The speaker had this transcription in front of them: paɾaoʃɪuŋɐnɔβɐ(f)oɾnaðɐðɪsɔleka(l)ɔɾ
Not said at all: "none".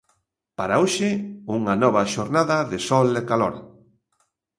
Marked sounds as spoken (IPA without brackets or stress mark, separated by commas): ʃ, l